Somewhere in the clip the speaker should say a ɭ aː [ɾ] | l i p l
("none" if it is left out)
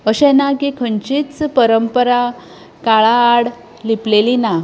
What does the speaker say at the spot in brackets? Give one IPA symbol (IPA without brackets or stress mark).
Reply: ɽ